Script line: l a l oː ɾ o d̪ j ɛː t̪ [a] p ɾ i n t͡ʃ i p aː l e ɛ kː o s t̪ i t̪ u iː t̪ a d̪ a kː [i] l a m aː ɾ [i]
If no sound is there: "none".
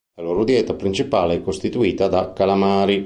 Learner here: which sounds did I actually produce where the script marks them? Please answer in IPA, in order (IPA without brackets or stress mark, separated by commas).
a, a, i